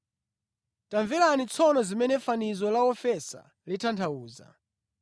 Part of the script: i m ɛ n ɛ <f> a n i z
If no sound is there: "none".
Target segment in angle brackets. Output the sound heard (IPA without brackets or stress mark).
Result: f